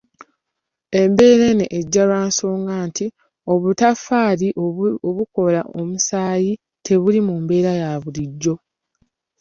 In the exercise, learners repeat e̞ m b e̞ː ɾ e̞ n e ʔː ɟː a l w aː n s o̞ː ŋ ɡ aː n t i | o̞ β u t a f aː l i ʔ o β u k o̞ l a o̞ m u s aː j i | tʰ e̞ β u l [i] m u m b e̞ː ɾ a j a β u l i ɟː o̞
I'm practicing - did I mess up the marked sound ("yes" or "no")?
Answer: no